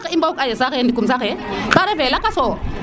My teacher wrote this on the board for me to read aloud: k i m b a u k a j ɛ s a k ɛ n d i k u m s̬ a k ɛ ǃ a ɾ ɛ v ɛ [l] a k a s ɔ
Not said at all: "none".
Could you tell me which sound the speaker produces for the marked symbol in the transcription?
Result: l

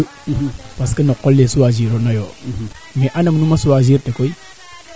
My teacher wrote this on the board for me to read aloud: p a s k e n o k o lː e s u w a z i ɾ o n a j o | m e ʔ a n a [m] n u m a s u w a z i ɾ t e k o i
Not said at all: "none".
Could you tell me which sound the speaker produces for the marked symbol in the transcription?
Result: m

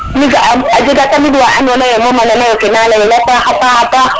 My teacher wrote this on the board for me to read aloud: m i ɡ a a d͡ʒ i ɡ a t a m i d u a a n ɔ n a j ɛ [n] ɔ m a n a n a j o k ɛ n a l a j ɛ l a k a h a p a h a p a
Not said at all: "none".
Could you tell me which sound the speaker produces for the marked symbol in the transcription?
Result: m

